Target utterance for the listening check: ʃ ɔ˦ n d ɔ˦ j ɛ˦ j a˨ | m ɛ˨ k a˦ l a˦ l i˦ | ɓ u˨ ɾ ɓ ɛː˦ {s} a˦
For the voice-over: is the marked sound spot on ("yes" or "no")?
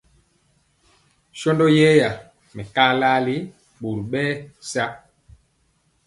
yes